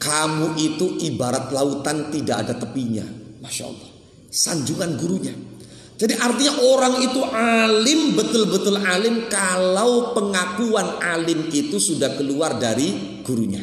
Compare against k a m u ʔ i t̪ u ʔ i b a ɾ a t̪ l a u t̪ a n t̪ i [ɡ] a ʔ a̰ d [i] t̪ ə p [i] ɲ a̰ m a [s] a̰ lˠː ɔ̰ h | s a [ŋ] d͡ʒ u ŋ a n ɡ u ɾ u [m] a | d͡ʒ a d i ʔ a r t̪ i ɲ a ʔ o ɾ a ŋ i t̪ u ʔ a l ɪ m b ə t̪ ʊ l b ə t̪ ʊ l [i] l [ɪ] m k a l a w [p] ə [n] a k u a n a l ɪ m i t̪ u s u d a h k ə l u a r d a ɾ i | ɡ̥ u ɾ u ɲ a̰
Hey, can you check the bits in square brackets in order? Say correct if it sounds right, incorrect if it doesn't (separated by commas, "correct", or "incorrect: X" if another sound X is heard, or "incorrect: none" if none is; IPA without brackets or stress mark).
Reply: incorrect: d, incorrect: a, correct, incorrect: ʃ, incorrect: ɲ, incorrect: ɲ, incorrect: a, correct, correct, incorrect: ŋ